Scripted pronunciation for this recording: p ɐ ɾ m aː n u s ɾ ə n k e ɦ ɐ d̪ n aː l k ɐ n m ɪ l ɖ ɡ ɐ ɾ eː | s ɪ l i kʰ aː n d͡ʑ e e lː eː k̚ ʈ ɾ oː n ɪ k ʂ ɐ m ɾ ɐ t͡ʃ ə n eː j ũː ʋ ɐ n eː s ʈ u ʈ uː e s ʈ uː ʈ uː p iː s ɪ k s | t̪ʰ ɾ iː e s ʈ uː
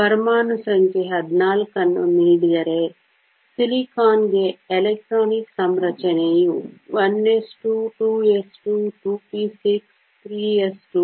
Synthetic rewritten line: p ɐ ɾ m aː n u s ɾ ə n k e ɦ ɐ d̪ n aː l k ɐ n m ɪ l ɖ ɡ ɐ ɾ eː | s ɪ l i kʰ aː n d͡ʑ e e l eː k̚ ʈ ɾ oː n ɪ k s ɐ m ɾ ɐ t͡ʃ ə n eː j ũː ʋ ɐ n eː s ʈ u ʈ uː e s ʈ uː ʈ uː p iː s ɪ k s | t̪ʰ ɾ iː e s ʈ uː